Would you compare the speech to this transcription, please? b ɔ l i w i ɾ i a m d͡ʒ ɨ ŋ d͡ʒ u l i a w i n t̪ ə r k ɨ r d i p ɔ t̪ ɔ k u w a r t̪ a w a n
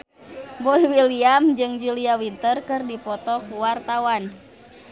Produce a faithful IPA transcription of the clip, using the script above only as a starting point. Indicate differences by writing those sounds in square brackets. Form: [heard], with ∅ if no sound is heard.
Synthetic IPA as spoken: b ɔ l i w i [l] i a m d͡ʒ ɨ ŋ d͡ʒ u l i a w i n t̪ ə r k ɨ r d i p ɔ t̪ ɔ k u w a r t̪ a w a n